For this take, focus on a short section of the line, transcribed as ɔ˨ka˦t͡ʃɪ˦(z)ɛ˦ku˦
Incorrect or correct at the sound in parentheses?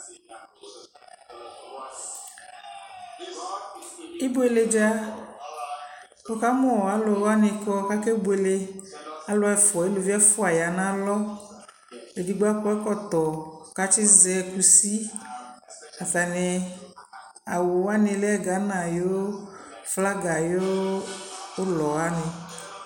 correct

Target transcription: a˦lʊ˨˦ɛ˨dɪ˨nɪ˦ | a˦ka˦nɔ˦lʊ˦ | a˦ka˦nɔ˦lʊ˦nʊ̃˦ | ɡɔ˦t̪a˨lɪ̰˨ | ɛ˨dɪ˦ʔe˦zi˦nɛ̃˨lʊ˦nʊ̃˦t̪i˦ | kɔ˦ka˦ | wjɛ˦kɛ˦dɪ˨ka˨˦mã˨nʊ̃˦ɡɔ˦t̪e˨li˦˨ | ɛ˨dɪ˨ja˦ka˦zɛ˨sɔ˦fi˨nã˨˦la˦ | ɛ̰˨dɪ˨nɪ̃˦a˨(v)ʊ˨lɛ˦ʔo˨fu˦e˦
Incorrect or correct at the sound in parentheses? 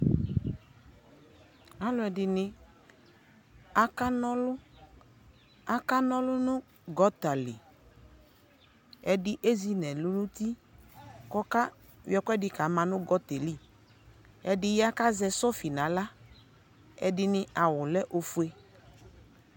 incorrect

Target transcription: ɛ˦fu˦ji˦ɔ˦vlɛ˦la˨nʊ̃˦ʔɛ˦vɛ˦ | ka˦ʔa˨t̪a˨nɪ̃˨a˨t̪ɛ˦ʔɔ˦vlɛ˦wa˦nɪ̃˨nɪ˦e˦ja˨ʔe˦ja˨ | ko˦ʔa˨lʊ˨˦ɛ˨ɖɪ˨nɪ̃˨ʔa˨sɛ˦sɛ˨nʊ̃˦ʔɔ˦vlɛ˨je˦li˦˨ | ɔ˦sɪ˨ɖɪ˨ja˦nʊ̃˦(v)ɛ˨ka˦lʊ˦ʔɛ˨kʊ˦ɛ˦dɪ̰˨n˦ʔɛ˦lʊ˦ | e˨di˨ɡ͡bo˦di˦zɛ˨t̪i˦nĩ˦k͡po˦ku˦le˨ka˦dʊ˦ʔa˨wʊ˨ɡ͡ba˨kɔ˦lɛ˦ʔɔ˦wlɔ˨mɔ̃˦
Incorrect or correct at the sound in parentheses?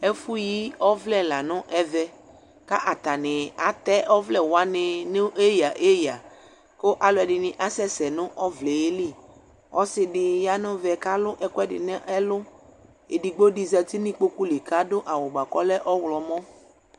correct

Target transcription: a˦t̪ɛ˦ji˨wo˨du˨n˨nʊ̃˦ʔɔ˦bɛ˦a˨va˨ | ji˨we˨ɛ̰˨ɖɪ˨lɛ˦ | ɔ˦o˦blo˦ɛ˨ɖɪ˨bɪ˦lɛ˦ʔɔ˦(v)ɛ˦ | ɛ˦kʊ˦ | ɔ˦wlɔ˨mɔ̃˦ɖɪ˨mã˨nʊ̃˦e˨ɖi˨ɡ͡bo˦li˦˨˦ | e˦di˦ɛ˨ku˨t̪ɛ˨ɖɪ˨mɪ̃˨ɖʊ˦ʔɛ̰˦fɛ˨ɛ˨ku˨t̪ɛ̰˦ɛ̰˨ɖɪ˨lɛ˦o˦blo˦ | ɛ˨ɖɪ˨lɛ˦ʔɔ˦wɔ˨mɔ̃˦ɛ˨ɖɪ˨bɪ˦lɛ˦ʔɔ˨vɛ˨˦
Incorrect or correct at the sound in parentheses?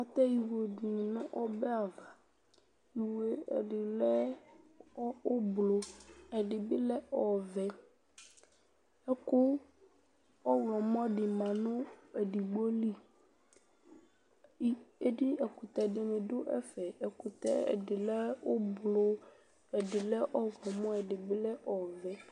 correct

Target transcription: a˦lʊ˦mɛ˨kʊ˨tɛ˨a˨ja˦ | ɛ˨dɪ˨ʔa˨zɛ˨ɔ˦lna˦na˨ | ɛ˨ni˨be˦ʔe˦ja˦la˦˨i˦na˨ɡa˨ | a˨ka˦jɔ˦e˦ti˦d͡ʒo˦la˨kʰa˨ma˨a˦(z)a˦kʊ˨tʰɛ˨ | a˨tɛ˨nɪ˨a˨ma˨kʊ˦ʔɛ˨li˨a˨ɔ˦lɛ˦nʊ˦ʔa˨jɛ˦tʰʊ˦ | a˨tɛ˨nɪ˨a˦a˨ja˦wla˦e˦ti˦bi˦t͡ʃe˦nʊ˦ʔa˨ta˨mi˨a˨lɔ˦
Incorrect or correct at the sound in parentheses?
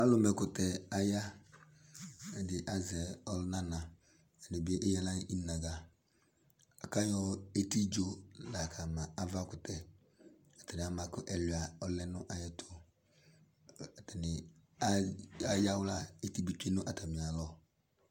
incorrect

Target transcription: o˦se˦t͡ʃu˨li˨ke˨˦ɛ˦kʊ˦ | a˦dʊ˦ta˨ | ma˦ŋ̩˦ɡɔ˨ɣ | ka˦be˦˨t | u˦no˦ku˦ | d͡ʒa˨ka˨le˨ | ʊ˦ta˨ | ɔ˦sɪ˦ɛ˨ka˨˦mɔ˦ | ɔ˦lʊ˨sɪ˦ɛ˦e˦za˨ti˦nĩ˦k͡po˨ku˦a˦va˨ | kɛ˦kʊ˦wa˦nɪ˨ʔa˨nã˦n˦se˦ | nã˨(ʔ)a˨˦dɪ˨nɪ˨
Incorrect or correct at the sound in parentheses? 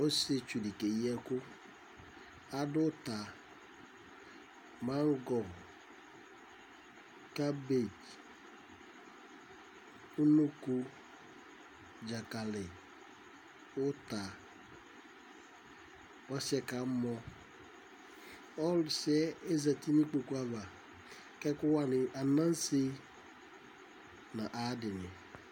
correct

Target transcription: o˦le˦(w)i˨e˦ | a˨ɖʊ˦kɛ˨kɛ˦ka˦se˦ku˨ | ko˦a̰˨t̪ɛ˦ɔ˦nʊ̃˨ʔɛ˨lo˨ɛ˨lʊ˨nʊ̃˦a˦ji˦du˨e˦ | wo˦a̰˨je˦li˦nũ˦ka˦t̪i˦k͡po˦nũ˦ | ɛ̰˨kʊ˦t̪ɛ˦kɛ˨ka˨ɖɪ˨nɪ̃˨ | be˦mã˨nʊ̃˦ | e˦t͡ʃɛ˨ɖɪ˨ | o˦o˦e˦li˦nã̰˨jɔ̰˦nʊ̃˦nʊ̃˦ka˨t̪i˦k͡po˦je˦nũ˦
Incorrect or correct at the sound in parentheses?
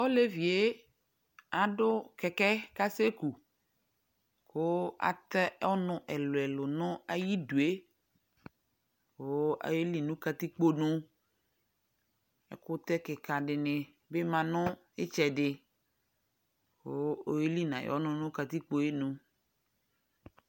incorrect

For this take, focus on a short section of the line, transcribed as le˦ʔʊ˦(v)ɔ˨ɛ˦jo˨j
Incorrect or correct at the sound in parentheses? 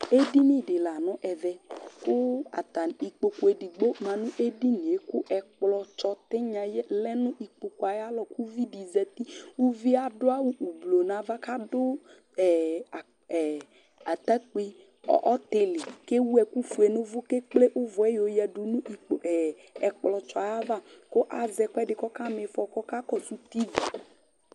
correct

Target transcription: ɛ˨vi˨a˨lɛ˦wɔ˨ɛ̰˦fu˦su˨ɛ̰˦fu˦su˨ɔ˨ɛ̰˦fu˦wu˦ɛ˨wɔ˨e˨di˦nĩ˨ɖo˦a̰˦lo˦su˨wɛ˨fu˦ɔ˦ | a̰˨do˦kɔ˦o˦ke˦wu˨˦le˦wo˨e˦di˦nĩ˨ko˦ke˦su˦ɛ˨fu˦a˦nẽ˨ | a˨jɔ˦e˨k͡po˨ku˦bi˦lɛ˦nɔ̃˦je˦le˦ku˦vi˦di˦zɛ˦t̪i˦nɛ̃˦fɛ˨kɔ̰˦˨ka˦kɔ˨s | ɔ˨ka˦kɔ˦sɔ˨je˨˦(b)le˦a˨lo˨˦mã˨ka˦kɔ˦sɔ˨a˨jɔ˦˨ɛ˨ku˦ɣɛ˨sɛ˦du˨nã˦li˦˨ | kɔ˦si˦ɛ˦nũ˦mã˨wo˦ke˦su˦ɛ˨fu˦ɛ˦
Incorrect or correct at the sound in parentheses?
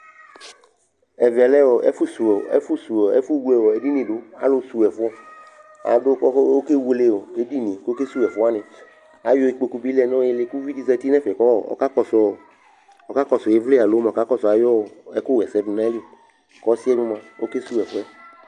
incorrect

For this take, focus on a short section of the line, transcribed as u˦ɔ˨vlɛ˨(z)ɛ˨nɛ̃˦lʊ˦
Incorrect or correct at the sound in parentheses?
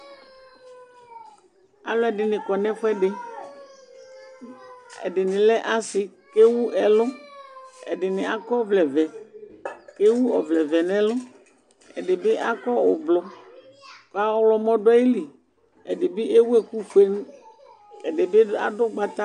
incorrect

